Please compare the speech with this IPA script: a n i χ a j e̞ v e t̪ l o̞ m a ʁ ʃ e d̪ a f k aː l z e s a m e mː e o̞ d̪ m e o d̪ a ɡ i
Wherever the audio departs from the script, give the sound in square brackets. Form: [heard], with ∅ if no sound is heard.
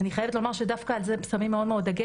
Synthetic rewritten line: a n i χ a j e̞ v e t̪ l o̞ m a ʁ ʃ e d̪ a f k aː l z e s a m [i] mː e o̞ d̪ m e o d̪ a ɡ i